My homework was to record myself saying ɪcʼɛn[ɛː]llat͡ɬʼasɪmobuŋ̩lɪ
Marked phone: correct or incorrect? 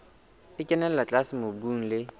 incorrect